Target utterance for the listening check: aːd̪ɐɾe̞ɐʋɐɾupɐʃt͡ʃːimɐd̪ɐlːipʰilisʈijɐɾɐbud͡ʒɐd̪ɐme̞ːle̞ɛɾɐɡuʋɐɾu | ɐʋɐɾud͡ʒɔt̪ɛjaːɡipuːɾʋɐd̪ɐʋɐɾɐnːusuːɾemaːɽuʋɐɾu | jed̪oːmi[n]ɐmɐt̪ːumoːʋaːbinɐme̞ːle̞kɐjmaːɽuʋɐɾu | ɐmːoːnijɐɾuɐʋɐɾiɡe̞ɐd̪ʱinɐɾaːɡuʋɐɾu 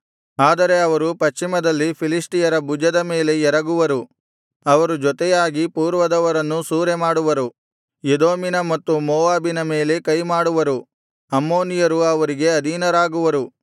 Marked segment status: correct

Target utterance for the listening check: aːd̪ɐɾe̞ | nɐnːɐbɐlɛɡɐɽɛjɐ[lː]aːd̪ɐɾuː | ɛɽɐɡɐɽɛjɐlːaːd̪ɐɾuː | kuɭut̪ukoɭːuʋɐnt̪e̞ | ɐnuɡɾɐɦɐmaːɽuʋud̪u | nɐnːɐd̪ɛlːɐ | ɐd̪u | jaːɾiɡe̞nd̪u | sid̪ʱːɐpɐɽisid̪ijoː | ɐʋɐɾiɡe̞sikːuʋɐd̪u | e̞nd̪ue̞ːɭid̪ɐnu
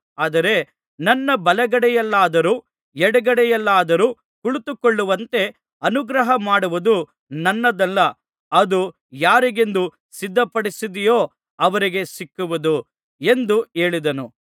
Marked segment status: correct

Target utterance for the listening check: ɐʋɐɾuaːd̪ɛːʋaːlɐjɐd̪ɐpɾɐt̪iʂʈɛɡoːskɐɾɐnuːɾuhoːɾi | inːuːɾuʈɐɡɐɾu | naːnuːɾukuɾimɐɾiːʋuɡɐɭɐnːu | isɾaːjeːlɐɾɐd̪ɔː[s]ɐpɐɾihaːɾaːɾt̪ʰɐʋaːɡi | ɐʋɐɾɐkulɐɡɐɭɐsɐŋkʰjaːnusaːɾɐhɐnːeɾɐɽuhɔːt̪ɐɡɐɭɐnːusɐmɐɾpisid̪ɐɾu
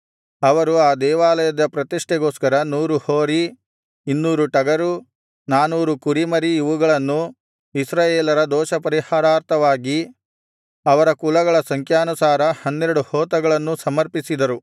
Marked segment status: incorrect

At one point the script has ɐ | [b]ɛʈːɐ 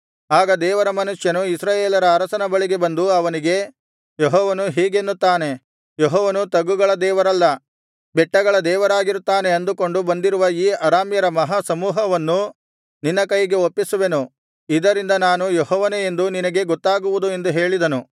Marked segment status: correct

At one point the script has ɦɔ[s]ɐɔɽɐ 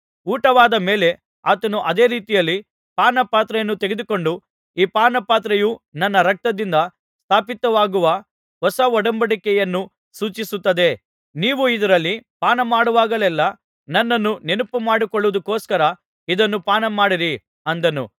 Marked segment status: correct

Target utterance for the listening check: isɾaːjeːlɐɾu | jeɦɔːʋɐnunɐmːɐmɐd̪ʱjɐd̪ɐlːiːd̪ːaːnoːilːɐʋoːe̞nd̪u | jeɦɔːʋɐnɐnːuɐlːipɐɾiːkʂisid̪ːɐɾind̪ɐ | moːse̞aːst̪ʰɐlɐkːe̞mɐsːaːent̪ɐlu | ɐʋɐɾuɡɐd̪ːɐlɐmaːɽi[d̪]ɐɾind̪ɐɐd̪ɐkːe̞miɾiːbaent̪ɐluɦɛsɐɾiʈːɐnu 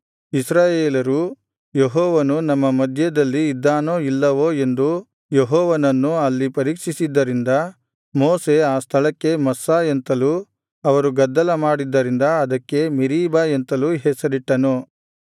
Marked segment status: incorrect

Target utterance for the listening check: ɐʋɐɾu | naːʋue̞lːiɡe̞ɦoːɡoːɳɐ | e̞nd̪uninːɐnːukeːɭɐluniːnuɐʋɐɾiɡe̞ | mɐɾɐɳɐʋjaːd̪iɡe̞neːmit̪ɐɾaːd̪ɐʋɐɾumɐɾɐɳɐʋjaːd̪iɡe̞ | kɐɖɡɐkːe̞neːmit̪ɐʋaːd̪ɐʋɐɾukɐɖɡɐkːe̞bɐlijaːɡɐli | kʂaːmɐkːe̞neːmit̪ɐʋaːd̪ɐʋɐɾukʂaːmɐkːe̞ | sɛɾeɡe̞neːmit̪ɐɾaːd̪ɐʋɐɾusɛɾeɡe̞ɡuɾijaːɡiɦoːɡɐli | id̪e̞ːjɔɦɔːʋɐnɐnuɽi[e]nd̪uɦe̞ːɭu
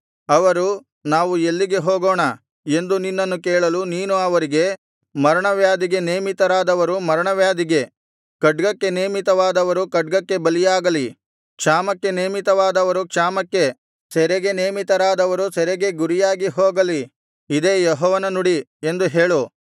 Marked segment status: correct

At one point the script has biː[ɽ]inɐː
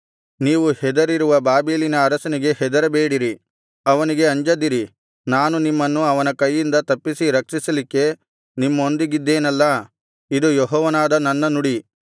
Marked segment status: incorrect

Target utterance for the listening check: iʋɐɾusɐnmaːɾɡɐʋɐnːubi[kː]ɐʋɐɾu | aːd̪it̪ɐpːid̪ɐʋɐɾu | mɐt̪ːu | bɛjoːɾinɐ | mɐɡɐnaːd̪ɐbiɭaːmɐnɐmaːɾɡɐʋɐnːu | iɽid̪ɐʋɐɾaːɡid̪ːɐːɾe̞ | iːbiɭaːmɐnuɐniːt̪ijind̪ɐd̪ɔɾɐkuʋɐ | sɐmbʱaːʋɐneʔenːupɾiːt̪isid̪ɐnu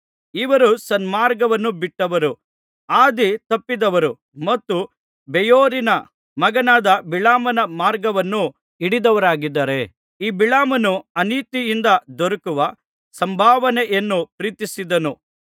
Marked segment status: incorrect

